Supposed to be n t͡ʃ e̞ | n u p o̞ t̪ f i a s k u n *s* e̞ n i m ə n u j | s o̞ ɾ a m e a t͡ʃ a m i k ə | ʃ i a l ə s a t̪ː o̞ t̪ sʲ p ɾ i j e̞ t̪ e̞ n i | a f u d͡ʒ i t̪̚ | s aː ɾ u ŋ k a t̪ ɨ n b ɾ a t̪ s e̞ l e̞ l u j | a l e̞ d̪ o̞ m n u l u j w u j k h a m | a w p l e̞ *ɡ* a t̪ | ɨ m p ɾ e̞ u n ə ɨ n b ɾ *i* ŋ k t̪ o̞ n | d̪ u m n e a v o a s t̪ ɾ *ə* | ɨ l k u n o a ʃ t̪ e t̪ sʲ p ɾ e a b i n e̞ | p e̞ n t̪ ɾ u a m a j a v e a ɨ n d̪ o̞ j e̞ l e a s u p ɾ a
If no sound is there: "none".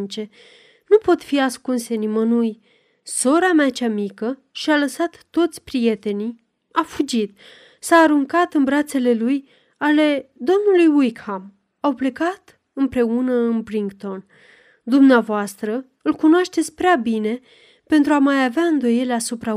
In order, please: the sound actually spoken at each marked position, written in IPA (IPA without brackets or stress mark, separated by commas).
s, k, i, ə